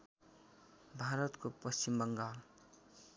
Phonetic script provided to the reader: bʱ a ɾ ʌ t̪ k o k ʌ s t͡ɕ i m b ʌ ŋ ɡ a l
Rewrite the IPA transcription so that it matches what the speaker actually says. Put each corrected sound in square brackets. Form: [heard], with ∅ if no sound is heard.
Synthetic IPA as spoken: bʱ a ɾ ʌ t̪ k o [p] ʌ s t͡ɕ i m b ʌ ŋ ɡ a l